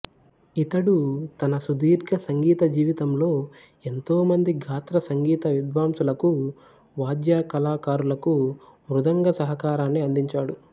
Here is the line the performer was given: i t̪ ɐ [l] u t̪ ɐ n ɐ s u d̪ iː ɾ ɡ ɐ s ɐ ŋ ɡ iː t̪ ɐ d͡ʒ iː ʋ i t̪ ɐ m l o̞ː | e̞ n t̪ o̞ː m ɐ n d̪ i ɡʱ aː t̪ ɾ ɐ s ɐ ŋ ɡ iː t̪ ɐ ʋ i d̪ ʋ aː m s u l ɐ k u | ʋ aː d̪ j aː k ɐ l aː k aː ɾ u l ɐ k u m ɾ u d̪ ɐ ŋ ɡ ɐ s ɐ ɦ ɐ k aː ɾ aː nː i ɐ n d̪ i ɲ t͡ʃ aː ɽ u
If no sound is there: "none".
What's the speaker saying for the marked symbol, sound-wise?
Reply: ɽ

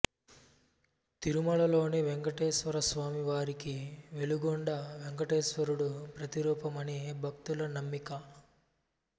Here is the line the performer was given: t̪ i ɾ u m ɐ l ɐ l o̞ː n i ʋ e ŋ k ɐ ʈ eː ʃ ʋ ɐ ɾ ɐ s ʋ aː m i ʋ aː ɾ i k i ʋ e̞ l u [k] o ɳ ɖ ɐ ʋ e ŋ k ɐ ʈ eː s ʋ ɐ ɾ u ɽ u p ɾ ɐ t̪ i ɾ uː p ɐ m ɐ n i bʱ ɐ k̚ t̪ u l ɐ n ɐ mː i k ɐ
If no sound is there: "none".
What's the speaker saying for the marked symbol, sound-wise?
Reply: ɡ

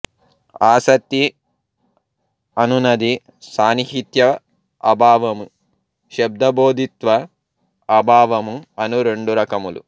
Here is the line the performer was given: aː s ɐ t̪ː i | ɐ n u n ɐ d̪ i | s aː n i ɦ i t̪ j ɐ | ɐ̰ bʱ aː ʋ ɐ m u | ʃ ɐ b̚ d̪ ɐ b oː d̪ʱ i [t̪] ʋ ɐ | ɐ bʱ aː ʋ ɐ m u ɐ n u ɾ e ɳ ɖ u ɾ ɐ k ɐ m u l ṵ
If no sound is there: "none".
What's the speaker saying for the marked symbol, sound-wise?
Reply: t̪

